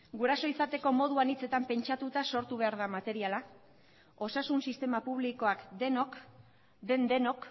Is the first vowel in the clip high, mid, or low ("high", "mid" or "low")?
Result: high